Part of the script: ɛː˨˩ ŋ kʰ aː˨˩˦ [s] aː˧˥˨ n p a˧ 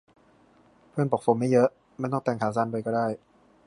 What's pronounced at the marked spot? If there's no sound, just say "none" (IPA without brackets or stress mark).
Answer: s